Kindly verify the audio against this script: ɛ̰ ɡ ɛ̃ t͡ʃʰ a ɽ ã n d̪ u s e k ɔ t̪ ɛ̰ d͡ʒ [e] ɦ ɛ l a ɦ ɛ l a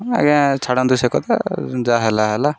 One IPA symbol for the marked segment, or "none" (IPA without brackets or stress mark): a